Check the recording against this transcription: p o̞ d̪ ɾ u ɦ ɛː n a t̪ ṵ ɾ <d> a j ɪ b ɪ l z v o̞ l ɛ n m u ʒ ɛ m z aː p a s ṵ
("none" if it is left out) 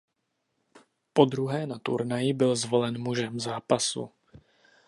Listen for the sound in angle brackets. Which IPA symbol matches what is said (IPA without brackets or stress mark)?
n